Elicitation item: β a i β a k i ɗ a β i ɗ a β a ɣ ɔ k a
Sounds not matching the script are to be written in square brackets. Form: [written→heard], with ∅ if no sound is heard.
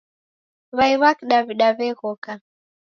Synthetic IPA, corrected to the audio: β a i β a k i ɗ a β i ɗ a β [a→ɛ] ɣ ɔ k a